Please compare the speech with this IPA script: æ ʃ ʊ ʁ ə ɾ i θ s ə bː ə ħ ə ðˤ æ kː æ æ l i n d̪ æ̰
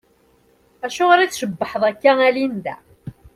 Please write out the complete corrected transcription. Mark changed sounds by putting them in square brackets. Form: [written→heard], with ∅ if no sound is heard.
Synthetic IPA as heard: æ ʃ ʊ ʁ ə ɾ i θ [s→ʃ] ə bː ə ħ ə ðˤ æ kː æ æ l i n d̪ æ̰